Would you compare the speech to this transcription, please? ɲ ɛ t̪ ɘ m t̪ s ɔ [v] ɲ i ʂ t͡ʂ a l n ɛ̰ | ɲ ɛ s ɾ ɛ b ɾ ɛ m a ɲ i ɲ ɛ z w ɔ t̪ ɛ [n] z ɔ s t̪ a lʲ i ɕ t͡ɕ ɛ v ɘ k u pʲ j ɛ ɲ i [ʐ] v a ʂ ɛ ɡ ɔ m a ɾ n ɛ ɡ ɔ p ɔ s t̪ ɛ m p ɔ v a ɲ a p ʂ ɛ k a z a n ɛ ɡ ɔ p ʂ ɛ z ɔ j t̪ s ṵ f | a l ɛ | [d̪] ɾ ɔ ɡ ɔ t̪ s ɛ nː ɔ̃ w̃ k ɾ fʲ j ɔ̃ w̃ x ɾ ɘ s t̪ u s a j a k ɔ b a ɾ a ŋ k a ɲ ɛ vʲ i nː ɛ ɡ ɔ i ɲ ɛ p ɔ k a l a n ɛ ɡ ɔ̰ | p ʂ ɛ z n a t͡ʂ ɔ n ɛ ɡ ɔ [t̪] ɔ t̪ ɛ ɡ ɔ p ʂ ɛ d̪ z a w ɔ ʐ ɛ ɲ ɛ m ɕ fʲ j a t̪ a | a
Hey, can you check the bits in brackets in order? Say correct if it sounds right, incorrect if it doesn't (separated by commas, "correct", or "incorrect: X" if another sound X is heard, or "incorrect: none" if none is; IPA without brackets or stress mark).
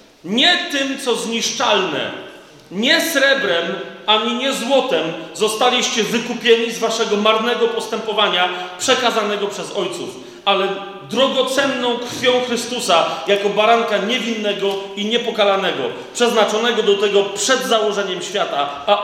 incorrect: z, incorrect: m, incorrect: z, correct, incorrect: d̪